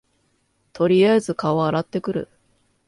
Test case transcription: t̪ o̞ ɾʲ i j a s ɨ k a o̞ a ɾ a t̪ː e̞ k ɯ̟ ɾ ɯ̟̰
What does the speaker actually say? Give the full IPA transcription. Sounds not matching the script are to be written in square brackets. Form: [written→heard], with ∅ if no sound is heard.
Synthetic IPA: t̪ o̞ ɾʲ i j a [s→z] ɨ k a o̞ a ɾ a t̪ː e̞ k ɯ̟ ɾ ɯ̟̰